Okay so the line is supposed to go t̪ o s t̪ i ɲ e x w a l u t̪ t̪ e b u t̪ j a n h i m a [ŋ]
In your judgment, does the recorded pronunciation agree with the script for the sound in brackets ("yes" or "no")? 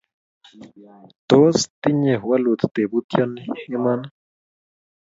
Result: no